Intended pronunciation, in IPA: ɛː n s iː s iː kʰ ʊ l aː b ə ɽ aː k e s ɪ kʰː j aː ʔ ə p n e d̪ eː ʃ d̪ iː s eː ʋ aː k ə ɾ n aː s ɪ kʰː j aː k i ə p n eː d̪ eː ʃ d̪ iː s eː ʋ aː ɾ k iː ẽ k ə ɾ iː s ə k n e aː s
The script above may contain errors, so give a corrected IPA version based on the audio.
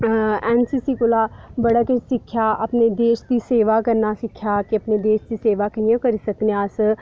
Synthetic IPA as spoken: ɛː n s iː s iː k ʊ l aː b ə ɽ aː k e s ɪ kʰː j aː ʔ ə p n e d̪ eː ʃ d̪ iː s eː ʋ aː k ə ɾ n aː s ɪ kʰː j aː k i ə p n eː d̪ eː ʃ d̪ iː s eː ʋ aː k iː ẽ k ə ɾ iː s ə k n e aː s